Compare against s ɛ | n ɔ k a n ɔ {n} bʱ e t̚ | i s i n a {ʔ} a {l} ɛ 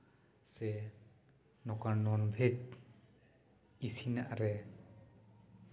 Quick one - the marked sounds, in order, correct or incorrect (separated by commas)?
correct, correct, incorrect